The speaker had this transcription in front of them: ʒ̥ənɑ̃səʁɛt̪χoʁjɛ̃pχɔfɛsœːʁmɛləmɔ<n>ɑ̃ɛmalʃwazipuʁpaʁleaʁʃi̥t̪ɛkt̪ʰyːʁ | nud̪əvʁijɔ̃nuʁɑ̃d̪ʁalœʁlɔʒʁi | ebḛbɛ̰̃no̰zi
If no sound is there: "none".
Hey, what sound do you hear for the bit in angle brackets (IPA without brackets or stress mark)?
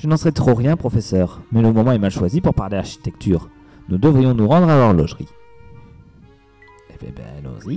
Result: m